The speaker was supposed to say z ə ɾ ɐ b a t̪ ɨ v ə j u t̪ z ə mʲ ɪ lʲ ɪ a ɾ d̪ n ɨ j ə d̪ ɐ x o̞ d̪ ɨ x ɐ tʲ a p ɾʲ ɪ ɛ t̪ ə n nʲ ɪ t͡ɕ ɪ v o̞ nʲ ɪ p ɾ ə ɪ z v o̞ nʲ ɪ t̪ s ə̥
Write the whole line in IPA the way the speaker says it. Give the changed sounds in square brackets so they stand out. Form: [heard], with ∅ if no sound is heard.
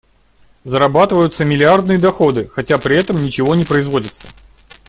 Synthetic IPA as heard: z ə ɾ ɐ b a t̪ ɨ v ə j [ʊ] t̪ [s] ə mʲ ɪ lʲ ɪ a [r] d̪ n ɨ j ə d̪ ɐ x o̞ d̪ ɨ x ɐ tʲ a p ɾʲ ɪ ɛ t̪ ə [m] nʲ ɪ t͡ɕ ɪ v o̞ nʲ ɪ p ɾ ə ɪ z v o̞ [dʲ] ɪ t̪ s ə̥